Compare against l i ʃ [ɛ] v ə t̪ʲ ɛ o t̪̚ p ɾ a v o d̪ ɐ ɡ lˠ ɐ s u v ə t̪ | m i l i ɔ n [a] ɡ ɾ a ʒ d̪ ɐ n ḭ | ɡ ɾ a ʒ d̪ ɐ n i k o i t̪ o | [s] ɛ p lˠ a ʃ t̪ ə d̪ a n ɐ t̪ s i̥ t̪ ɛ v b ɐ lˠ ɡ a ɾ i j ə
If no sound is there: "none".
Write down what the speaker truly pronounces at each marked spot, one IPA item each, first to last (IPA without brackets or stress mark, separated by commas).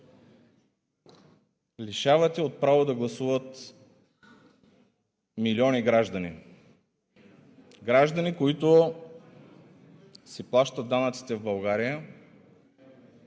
a, i, s